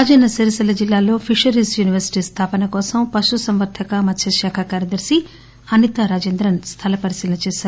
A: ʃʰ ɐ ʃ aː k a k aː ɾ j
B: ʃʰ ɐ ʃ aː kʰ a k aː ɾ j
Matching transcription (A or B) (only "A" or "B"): B